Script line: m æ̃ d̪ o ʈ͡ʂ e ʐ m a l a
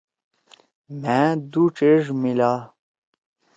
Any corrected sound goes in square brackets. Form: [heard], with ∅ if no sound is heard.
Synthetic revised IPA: m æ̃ d̪ [u] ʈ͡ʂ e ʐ m [i] l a